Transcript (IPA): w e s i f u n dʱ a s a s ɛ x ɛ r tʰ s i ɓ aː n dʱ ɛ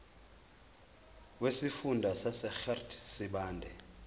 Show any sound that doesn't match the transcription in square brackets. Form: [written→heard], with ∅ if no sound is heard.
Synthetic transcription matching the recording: w e s i f u n dʱ a s a s ɛ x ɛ r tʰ s i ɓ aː n dʱ ɛ